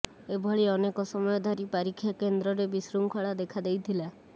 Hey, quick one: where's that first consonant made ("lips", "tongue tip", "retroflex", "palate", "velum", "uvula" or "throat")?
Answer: lips